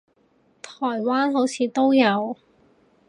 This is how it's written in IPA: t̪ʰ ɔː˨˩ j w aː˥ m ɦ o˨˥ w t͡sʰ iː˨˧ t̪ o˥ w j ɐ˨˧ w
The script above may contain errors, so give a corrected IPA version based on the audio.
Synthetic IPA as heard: t̪ʰ ɔː˨˩ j w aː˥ n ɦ o˨˥ w t͡sʰ iː˨˧ t̪ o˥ w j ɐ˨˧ w